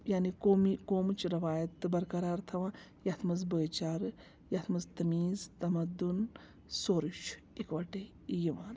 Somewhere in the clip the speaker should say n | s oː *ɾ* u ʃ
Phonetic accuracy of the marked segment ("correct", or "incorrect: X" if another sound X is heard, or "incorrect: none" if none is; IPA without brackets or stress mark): correct